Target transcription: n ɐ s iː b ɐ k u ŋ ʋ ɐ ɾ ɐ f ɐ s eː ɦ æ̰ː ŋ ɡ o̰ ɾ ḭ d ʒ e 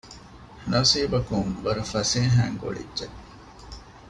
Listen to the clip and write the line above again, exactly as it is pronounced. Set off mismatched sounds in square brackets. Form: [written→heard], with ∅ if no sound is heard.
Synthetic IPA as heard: n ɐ s iː b ɐ k u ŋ ʋ ɐ ɾ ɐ f ɐ s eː ɦ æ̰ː ŋ ɡ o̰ [ɾ→ɭ] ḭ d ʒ e